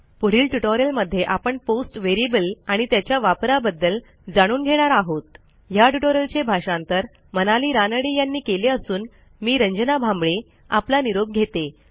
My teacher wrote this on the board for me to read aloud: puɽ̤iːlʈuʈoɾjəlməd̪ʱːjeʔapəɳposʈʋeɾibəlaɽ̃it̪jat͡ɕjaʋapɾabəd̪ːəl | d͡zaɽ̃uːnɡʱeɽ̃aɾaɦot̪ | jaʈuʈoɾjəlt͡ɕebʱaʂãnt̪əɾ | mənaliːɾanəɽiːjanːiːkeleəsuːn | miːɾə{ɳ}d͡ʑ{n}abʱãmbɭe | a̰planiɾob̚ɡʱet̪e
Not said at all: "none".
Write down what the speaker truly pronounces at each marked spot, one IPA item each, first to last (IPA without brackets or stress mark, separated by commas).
ɲ, n